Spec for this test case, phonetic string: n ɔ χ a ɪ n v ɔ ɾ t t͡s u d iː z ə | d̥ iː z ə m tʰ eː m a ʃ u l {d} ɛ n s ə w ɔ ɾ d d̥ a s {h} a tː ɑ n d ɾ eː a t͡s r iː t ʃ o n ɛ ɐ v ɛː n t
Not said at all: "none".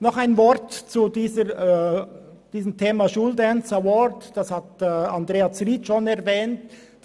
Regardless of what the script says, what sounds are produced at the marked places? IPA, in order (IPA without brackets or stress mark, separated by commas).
d, h